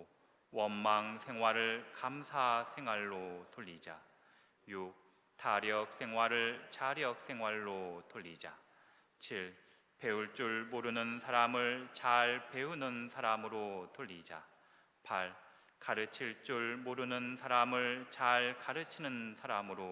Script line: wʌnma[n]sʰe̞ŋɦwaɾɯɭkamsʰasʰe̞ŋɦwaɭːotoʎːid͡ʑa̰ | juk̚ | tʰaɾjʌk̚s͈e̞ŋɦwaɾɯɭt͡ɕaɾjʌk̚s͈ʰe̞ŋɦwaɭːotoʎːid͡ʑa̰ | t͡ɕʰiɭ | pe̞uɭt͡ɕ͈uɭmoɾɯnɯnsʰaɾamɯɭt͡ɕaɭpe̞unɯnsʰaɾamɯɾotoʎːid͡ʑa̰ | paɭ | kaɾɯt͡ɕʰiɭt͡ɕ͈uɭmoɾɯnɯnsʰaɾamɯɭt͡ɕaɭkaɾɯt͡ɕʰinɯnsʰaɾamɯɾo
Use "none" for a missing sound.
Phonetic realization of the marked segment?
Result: ŋ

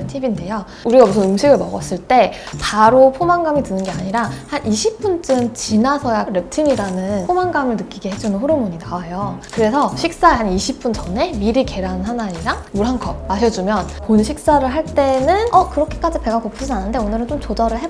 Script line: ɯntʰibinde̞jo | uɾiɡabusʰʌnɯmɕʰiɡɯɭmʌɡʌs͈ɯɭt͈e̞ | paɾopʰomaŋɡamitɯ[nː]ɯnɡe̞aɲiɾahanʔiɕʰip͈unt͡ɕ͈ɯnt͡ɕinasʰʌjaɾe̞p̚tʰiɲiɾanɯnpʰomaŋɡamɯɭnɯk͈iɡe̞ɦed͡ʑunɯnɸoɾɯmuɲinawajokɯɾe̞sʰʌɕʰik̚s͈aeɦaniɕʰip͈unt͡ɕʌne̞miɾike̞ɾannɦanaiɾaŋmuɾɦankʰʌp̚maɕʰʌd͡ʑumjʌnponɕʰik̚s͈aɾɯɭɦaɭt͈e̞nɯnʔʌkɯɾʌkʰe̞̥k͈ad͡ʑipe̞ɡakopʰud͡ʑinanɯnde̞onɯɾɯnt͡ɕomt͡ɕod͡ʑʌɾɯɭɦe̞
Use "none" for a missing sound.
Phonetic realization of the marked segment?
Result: n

